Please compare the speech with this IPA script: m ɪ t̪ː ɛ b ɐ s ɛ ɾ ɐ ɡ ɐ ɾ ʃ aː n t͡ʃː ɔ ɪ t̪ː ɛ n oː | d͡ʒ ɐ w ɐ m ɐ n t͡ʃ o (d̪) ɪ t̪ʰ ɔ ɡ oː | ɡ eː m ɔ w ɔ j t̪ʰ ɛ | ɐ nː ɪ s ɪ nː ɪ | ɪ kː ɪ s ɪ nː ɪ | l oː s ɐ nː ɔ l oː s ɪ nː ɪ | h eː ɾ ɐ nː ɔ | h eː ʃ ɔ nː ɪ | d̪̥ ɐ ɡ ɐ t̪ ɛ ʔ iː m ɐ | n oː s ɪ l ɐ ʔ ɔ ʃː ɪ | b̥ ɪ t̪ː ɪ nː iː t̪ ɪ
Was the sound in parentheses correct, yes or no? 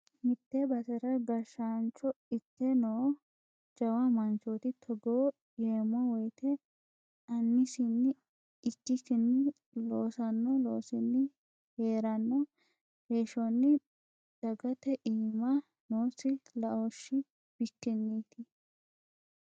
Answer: no